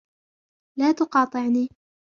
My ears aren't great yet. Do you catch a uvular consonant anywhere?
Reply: yes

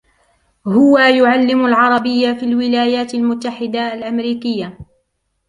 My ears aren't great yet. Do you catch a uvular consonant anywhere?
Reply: no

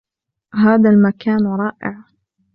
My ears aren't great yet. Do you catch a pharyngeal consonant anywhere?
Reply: yes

